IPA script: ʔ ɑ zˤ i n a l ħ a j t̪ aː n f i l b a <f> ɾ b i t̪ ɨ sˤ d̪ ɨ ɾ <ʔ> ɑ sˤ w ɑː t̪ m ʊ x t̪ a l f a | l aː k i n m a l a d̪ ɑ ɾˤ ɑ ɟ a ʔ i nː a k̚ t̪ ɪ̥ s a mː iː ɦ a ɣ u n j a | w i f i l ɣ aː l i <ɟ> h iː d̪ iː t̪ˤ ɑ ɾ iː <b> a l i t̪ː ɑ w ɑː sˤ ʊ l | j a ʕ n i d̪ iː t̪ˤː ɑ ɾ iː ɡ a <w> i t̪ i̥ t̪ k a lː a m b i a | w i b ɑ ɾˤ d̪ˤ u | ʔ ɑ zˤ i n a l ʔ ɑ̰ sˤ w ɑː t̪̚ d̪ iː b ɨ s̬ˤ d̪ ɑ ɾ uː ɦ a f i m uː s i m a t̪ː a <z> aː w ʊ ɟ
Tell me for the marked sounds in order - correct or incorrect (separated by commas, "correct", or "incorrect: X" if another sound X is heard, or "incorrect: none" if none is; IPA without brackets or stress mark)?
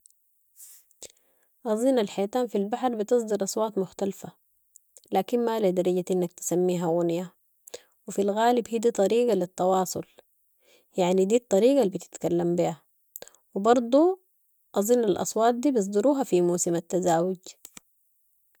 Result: incorrect: ħ, correct, incorrect: b, incorrect: ɡ, incorrect: b, correct